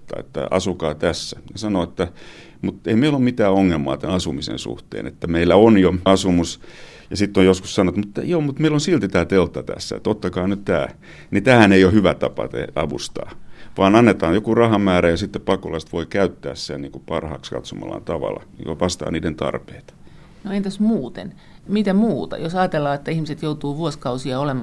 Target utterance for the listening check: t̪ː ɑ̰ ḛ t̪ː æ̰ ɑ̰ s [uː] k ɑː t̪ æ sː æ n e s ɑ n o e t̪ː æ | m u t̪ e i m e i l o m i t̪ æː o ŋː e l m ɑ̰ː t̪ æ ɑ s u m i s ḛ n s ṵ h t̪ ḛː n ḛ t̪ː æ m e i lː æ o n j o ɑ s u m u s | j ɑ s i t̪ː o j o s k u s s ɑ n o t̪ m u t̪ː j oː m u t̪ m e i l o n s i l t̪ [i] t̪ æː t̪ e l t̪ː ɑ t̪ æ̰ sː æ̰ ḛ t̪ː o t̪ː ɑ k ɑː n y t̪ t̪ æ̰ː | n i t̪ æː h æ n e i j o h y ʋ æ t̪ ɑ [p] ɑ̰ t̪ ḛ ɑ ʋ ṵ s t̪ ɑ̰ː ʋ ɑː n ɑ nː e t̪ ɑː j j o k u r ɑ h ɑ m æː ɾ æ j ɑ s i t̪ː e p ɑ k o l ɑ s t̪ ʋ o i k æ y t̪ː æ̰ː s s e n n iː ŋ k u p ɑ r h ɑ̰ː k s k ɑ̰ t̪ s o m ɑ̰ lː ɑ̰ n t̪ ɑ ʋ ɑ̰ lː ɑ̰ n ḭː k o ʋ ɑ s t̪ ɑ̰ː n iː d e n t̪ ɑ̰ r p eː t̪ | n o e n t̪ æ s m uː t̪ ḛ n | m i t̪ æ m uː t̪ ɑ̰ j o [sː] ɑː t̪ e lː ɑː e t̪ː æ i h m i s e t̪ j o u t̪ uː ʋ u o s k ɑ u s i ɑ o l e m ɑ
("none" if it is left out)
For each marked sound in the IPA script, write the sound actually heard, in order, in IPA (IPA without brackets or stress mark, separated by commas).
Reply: u, i, p, s